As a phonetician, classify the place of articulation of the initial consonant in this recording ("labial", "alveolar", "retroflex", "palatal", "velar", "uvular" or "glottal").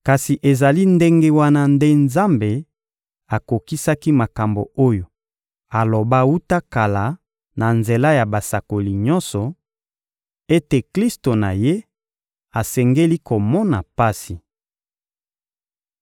velar